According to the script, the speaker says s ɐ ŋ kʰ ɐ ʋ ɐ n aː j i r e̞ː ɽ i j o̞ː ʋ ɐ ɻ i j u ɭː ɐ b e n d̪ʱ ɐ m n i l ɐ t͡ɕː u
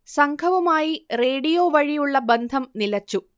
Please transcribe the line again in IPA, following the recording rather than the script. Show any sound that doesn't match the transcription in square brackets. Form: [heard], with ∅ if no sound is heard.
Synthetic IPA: s ɐ ŋ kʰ ɐ ʋ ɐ [m] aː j i r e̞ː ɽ i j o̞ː ʋ ɐ ɻ i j u ɭː ɐ b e n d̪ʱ ɐ m n i l ɐ t͡ɕː u